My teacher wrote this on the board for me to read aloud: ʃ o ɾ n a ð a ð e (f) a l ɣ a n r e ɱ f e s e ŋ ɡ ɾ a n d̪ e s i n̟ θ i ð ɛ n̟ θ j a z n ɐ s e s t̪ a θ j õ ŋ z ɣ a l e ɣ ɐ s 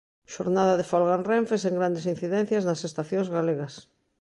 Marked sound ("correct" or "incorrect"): correct